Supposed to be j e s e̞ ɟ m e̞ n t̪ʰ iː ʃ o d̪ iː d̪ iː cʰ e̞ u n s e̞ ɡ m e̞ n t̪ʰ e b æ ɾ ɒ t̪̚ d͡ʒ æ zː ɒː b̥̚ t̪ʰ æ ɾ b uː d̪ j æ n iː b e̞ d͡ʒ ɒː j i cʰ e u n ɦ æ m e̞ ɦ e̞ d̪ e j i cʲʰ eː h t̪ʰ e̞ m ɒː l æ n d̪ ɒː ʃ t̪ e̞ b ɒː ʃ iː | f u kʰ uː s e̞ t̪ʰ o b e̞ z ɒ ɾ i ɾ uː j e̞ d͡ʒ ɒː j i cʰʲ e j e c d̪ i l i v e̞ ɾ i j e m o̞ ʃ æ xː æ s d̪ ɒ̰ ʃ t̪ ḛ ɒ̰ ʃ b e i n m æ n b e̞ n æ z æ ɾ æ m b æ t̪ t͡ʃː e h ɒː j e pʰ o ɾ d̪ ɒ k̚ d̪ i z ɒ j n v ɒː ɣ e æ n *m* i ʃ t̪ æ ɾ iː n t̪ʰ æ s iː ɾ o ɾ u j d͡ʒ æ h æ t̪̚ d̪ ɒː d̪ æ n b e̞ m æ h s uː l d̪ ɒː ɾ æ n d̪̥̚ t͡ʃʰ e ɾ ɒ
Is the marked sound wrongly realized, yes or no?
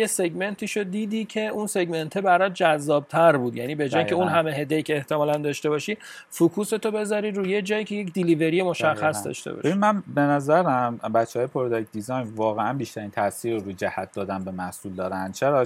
yes